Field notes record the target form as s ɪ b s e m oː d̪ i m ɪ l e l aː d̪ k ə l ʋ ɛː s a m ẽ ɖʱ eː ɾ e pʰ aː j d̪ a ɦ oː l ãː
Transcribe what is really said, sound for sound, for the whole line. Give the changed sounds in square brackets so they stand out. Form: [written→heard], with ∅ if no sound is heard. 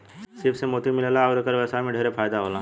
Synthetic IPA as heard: s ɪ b s e m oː [d̪→t̪] i m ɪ l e l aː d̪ k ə [l→ɾ] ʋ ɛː s a m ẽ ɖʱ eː ɾ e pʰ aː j d̪ a ɦ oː l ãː

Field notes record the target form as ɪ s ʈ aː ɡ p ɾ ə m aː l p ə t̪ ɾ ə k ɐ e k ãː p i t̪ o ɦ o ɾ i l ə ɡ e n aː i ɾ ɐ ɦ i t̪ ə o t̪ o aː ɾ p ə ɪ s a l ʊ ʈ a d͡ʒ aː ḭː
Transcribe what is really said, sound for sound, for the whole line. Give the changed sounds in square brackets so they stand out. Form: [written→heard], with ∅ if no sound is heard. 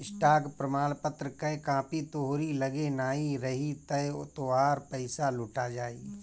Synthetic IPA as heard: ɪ s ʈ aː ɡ p ɾ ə m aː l p ə t̪ ɾ ə k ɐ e k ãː p i t̪ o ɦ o ɾ i l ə ɡ e n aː i ɾ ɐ ɦ i t̪ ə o t̪ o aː ɾ p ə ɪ s a l ʊ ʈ a d͡ʒ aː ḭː

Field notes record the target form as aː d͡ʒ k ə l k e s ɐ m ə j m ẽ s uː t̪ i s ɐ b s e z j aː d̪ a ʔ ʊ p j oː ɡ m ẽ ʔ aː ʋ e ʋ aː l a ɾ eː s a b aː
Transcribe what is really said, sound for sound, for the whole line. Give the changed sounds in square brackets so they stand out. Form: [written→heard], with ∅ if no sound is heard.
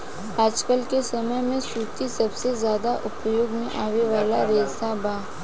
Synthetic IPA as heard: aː d͡ʒ k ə l k e s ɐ m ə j m ẽ s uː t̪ i s ɐ b s e z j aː d̪ a ʔ ʊ p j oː ɡ m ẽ ʔ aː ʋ e ʋ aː l a ɾ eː s a b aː

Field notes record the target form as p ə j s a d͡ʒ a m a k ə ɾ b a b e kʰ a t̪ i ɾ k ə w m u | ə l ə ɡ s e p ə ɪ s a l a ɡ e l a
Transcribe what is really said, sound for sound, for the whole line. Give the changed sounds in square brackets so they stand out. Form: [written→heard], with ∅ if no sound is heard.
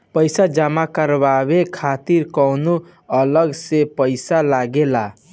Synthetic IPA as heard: p ə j s a d͡ʒ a m a k ə ɾ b a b e kʰ a t̪ i ɾ k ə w [m→n] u | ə l ə ɡ s e p ə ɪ s a l a ɡ e l a

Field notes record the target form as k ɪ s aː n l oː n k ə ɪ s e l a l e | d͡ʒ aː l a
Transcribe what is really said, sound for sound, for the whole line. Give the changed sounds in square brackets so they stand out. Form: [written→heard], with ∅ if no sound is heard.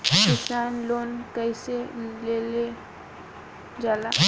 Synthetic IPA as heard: k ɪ s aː n l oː n k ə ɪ s e l [a→e] l e | d͡ʒ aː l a

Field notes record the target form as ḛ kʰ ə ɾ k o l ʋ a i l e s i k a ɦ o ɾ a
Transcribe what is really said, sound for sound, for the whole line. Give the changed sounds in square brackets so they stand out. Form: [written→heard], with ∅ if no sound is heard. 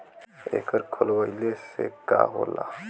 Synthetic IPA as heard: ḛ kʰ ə ɾ [k→kʰ] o l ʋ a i l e s [i→e] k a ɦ o [ɾ→l] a

